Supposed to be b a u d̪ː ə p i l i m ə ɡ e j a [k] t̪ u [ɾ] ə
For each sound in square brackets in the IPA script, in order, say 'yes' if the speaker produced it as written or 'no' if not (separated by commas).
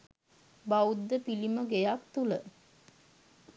yes, no